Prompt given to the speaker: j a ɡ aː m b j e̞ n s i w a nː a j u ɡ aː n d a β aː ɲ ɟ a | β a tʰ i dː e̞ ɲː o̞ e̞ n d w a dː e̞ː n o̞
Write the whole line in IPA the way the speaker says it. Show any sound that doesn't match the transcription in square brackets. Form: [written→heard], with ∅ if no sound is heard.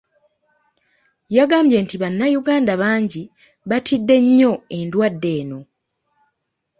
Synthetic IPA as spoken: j a ɡ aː m b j e̞ n [s→t] i [w→β] a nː a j u ɡ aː n d a β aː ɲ ɟ [a→i] | β a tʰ i dː e̞ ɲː o̞ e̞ n d w a dː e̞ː n o̞